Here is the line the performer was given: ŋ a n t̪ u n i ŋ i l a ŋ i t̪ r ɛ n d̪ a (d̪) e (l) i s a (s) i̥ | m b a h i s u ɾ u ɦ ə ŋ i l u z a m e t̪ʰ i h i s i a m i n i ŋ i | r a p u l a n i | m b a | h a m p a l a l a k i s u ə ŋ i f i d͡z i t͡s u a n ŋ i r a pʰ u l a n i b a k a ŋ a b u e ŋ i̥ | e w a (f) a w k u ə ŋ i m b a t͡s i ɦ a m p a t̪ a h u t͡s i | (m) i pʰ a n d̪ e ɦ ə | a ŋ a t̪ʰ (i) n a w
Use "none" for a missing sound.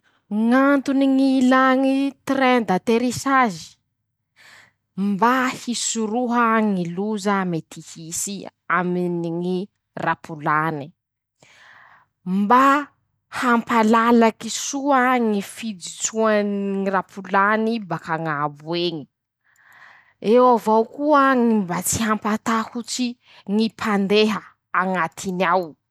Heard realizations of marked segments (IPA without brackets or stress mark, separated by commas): t̪, ɾ, z, v, ŋ, i